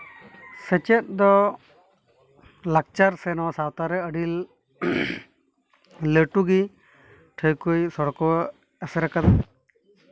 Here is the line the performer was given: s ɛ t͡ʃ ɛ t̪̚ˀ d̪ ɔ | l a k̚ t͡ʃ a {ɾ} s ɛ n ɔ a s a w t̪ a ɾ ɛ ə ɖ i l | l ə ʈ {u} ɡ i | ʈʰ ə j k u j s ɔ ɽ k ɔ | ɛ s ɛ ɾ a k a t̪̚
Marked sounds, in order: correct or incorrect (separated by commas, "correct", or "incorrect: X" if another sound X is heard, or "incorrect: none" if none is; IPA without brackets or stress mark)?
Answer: correct, correct